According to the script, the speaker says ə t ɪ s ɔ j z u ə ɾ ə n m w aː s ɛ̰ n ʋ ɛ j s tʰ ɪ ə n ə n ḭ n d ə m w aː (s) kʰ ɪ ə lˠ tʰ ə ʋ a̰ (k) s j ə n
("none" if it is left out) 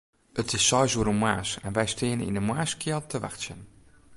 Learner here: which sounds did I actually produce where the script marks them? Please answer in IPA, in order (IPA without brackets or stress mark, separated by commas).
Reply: s, x